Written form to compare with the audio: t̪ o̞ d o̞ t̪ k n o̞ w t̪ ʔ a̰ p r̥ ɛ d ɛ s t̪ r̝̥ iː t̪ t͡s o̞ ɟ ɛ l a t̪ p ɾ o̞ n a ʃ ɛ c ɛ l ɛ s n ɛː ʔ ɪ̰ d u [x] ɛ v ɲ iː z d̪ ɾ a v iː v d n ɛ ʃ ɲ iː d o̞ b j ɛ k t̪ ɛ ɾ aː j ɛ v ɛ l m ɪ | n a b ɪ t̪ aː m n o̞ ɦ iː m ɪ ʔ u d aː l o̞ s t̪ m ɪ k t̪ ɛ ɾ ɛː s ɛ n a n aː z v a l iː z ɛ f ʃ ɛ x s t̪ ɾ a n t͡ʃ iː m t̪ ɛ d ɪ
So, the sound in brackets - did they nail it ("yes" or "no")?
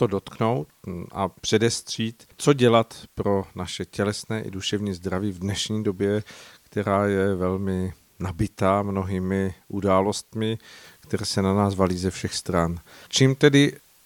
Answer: no